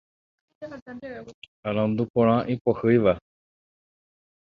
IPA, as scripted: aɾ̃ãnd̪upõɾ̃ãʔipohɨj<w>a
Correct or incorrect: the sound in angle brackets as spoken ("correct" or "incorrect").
incorrect